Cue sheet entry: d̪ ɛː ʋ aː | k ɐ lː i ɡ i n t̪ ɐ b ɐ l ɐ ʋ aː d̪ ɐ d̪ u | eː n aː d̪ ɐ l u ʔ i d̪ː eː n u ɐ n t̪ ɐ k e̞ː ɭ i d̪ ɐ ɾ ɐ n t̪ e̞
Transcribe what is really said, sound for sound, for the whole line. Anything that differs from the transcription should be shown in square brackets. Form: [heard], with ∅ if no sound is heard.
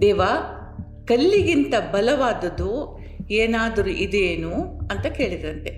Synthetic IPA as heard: d̪ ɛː ʋ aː | k ɐ lː i ɡ i n t̪ ɐ b ɐ l ɐ ʋ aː d̪ ɐ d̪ u | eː n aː d̪ ɐ [ɾ] u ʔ i [d̪] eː n u ɐ n t̪ ɐ k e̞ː ɭ i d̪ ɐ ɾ ɐ n t̪ e̞